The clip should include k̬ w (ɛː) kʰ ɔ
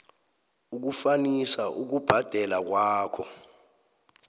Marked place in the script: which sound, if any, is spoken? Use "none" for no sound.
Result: aː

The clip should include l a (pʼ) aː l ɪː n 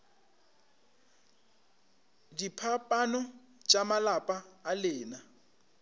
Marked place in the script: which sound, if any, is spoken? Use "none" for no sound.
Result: pʼ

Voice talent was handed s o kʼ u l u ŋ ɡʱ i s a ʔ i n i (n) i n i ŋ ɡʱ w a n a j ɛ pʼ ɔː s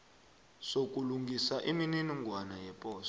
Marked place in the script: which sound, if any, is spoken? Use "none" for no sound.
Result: n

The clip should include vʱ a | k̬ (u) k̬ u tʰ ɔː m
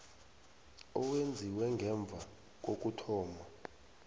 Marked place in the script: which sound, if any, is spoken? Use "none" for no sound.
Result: o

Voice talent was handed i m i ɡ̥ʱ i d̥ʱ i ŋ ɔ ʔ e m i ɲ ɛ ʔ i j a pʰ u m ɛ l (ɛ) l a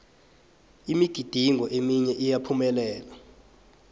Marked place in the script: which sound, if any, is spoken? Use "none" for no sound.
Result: ɛː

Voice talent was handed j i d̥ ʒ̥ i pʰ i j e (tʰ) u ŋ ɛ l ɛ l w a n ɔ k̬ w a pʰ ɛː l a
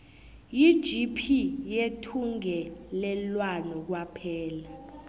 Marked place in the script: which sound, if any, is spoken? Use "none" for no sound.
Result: tʰ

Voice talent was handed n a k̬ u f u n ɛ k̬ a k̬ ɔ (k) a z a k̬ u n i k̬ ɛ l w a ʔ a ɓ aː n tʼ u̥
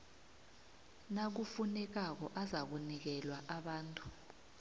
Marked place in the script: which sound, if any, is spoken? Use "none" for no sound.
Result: ʔ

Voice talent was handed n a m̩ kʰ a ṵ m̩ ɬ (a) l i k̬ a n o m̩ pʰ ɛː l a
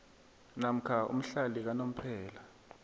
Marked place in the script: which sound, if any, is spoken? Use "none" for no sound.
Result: a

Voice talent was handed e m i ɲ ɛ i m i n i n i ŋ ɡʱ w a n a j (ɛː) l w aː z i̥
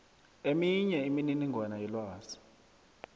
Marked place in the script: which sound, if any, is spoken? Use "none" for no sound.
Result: ɛ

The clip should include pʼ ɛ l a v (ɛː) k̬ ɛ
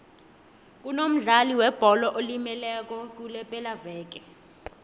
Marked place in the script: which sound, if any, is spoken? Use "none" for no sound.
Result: ɛː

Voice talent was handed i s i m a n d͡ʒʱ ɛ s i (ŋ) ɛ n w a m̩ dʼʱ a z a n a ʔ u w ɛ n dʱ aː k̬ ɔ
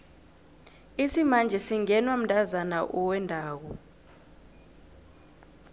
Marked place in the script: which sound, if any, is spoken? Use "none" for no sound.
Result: ŋ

